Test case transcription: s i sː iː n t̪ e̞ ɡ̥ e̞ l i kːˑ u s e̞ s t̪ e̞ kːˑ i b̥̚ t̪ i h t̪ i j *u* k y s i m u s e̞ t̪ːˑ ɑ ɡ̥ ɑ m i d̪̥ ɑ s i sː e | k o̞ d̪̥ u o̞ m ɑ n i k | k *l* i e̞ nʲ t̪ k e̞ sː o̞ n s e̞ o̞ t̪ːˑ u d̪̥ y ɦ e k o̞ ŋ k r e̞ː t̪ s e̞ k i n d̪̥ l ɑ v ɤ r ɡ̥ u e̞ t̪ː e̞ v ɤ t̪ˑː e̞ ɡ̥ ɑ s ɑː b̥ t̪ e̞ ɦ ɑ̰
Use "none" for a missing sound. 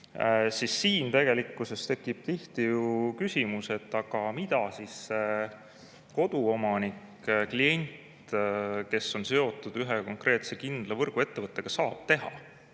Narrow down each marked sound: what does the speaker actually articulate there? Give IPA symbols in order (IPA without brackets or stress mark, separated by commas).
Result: u, l